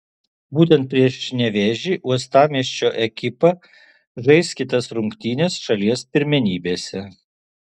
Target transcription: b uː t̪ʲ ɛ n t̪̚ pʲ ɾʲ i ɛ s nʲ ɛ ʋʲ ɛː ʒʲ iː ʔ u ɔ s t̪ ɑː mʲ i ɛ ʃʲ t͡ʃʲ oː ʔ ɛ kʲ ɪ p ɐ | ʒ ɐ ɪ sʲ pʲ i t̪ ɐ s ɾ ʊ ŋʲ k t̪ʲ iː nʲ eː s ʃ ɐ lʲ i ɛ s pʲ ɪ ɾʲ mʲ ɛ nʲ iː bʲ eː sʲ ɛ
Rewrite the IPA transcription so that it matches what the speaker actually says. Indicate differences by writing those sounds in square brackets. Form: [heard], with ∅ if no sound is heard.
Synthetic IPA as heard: b uː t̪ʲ ɛ n t̪̚ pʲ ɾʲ i ɛ [ʃ] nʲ ɛ ʋʲ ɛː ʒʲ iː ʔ u ɔ s t̪ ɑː mʲ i ɛ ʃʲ t͡ʃʲ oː ʔ ɛ kʲ ɪ p ɐ | ʒ ɐ ɪ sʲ [kʲ] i t̪ ɐ s ɾ ʊ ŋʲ k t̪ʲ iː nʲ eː s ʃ ɐ lʲ i ɛ s pʲ ɪ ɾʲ mʲ ɛ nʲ iː bʲ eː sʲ ɛ